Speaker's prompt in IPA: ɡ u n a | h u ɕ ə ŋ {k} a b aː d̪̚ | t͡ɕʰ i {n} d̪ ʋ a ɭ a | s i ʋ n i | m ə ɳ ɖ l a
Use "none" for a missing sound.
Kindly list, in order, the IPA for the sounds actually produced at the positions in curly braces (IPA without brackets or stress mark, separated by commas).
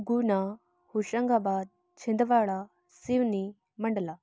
ɡ, n